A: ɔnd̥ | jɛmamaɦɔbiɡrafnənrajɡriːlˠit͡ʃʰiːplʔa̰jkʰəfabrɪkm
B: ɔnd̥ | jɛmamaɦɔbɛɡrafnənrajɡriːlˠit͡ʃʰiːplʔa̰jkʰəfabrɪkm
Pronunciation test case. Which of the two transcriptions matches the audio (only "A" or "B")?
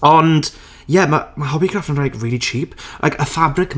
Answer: A